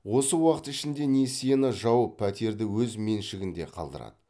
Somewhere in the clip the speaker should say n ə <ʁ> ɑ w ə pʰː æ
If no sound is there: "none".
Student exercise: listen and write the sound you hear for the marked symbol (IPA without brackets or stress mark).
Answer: ʒ